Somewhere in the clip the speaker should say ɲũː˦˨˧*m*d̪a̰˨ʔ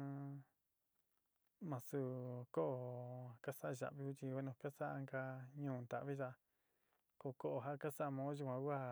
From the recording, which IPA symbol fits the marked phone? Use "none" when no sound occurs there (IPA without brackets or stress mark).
n